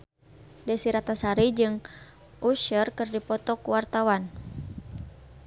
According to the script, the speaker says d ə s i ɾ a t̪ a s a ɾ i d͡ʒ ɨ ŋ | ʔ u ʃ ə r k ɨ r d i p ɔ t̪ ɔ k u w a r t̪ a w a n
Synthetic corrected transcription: d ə s i ɾ a t̪ a s a ɾ i d͡ʒ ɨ ŋ | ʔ u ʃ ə r k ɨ r d i p ɔ t̪ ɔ k u w a r t̪ a w a n